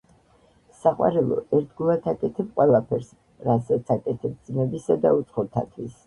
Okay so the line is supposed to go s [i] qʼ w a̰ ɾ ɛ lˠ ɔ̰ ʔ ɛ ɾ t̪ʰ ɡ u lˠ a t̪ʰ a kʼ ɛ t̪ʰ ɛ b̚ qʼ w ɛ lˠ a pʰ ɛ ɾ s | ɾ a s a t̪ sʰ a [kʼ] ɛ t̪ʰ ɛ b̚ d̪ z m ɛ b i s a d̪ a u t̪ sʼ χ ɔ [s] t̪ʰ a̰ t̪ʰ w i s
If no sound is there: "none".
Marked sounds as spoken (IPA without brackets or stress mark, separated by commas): a, kʼ, none